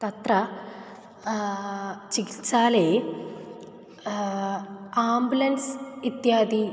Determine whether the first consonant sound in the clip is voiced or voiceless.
voiceless